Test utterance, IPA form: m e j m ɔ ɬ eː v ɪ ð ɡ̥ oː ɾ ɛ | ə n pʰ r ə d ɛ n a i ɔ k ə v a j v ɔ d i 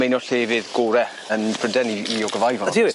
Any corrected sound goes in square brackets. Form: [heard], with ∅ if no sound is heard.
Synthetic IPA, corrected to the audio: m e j [n] ɔ ɬ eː v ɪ ð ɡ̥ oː ɾ ɛ | ə n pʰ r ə d ɛ n [i] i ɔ [ɡ] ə v a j v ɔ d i